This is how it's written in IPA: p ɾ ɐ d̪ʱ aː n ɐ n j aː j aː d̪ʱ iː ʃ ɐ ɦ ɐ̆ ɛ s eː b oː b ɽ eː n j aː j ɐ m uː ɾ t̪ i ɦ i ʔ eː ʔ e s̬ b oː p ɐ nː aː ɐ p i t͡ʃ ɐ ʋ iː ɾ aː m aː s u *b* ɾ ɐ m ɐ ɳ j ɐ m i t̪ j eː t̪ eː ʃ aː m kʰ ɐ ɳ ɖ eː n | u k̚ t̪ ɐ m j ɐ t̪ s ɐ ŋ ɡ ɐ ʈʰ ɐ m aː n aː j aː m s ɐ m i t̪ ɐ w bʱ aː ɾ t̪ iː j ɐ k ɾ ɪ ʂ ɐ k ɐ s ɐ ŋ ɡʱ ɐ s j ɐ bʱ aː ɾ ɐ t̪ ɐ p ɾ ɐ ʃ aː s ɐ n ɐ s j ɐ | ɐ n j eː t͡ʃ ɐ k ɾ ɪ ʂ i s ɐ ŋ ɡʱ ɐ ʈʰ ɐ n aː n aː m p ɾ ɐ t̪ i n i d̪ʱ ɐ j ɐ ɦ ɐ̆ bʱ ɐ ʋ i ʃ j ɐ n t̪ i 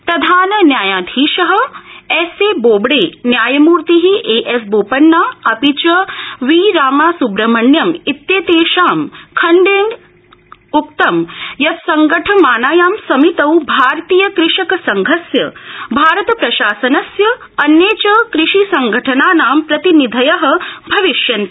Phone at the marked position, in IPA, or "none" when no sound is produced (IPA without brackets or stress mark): b